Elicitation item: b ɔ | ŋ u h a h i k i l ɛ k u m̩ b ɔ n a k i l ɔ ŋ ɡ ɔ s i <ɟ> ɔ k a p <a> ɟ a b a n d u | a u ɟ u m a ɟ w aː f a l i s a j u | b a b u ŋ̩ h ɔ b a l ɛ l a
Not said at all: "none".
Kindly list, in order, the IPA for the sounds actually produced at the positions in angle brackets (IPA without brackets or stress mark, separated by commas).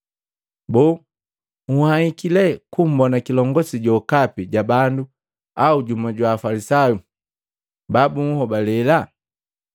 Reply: ɟ, i